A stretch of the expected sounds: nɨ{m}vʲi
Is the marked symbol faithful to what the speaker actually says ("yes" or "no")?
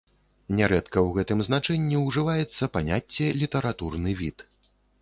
no